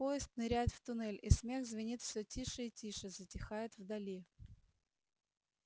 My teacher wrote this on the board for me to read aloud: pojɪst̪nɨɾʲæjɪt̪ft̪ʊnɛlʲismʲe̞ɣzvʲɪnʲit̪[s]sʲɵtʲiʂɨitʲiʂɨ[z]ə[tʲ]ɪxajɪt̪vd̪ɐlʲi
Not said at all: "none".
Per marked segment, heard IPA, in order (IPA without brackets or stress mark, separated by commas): f, z, tʲ